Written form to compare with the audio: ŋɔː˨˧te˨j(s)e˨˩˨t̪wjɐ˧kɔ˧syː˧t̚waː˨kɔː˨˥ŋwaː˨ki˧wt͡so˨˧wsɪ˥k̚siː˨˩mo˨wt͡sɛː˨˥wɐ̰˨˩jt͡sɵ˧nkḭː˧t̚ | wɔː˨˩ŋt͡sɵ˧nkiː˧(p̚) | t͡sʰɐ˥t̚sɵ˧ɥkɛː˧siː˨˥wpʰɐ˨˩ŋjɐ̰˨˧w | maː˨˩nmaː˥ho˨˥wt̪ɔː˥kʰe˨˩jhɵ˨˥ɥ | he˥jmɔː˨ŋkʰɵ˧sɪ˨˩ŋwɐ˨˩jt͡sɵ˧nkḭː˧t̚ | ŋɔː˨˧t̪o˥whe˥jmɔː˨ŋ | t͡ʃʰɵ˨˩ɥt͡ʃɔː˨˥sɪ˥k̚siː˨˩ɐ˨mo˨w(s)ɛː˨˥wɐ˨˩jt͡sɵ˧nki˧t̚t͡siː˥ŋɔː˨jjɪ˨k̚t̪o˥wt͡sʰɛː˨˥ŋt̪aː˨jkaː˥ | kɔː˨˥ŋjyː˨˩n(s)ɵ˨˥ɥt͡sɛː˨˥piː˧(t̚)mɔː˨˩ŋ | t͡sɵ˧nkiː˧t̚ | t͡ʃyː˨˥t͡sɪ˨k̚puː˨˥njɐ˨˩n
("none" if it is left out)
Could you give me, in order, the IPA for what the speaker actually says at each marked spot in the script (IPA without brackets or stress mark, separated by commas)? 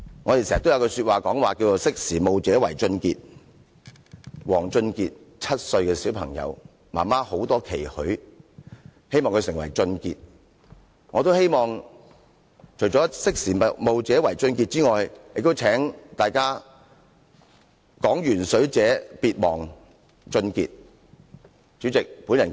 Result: s, t̚, t͡s, s, t̚